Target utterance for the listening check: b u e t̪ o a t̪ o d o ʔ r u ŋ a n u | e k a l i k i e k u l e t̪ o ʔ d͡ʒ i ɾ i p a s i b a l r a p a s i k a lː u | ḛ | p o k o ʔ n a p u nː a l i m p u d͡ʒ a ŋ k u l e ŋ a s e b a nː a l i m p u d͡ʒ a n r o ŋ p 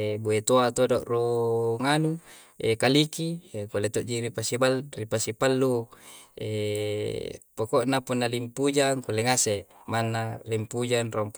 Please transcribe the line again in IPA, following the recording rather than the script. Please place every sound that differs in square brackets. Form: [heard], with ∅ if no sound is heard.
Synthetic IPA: b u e t̪ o a t̪ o d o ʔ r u ŋ a n u | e k a l i k i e k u l e t̪ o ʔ d͡ʒ i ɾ i p a s i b a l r [i] p a s i [p] a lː u | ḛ | p o k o ʔ n a p u nː a l i m p u d͡ʒ a ŋ k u l e ŋ a s e [m] a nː a l i m p u d͡ʒ a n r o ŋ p

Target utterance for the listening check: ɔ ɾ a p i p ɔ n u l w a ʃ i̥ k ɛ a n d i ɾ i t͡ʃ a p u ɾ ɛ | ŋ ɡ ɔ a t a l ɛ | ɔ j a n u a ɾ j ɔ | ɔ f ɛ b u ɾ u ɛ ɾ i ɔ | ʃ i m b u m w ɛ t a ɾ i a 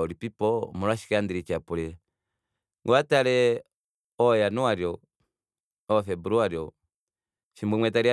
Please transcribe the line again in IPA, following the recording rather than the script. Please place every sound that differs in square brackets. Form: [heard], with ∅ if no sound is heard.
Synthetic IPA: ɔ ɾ [i] p i p ɔ [m] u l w a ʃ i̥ k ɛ a n d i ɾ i t͡ʃ a p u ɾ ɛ | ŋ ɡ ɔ a t a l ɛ | ɔ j a n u a ɾ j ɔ | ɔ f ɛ b u ɾ u [a] ɾ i ɔ | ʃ i m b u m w ɛ t a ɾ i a

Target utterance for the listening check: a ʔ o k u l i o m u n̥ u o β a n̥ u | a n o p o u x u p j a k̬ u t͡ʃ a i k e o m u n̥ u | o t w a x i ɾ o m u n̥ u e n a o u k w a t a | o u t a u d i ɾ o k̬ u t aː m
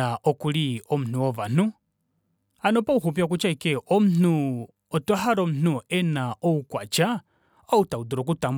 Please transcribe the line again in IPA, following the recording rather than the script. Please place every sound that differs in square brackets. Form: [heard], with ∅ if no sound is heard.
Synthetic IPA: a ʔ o k u l i o m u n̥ u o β a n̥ u | a n o p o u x u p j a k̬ u t͡ʃ a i k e o m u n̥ u | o t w a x [a] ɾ o m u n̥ u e n a o u k w a [t͡ʃ] a | o u t a u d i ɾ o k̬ u t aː m

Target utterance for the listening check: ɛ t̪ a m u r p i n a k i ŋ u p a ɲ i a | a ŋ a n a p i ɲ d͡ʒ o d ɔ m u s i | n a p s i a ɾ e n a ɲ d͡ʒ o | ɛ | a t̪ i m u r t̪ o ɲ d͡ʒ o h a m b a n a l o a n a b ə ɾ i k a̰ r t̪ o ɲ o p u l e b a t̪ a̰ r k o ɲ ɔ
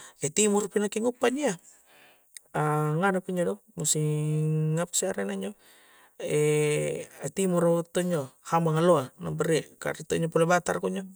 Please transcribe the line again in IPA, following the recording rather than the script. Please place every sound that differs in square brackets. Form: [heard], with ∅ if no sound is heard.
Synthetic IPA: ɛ t̪ [i] m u r p i n a k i ŋ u p a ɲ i a | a ŋ a n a p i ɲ d͡ʒ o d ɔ m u s i | [ŋ] a p s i a ɾ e n a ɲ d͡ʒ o | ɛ | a t̪ i m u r t̪ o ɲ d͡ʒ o h a m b a [ŋ] a l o a n a b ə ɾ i k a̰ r t̪ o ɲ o p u l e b a t̪ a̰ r k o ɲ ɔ

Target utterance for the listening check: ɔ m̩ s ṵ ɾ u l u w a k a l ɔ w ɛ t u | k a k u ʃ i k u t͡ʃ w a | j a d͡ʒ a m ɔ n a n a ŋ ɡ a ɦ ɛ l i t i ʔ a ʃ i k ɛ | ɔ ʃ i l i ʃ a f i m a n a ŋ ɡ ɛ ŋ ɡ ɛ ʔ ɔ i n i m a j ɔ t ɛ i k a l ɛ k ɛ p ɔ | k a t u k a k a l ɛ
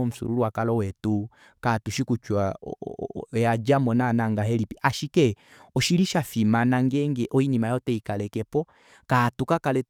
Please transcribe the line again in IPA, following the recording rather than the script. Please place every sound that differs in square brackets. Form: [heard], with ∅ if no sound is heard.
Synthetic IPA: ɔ m̩ s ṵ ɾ u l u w a k a l ɔ w ɛ t u | k a [t] u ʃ i k u t͡ʃ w a | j a d͡ʒ a m ɔ n a n a ŋ ɡ a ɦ ɛ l i [p] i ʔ a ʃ i k ɛ | ɔ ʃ i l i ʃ a f i m a n a ŋ ɡ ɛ ŋ ɡ ɛ ʔ ɔ i n i m a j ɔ t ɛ i k a l ɛ k ɛ p ɔ | k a t u k a k a l ɛ

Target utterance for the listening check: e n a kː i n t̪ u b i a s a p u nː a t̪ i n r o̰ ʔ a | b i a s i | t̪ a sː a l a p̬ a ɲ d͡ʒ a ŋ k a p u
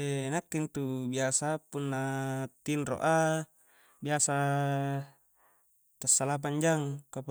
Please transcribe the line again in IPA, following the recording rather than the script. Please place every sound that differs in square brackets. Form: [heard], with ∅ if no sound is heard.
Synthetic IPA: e n a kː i n t̪ u b i a s a p u nː a t̪ i n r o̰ ʔ a | b i a s [a] | t̪ a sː a l a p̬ a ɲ d͡ʒ a ŋ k a p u

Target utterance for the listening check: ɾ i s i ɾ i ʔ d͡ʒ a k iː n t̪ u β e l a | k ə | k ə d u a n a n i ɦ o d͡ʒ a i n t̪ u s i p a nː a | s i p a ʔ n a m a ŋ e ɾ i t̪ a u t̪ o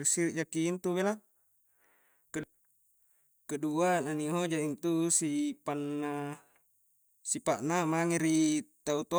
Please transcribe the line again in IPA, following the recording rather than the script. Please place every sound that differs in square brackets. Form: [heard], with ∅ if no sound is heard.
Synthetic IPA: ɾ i s i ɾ i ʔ d͡ʒ a k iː n t̪ u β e l a | k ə | k ə d u a n a n i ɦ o d͡ʒ a i n t̪ u s i p a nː a | s i p a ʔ n a m a ŋ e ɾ i t̪ a u t̪ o

